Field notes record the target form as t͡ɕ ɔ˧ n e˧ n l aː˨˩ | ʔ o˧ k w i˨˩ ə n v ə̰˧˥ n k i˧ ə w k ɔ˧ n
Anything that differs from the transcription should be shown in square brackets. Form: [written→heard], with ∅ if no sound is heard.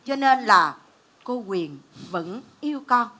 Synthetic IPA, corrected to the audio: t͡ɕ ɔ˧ n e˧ n l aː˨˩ | [ʔ→k] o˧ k w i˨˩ ə n v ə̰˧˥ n [k→ʔ] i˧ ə w k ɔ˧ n